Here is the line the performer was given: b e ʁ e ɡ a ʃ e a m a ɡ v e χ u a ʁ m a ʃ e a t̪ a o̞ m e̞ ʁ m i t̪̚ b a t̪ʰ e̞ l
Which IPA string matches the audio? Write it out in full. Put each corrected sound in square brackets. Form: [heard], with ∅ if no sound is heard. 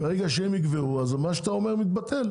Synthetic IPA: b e ʁ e ɡ a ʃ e [e] m [i] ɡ v e [ʁ] u a [z] m a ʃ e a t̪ a o̞ m e̞ ʁ m i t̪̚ b a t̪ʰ e̞ l